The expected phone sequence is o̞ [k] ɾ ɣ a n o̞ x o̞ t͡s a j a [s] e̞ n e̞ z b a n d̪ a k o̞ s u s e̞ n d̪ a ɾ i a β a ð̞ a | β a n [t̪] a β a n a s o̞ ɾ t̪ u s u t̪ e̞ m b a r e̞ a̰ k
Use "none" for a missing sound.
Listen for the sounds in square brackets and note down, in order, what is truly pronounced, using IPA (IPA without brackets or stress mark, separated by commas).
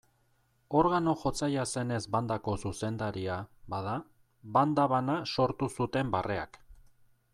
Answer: none, s, d̪